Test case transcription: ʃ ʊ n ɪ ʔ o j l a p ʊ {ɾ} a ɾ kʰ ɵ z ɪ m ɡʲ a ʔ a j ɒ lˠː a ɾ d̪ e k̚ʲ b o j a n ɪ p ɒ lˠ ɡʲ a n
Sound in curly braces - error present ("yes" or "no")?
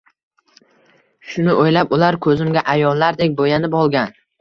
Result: yes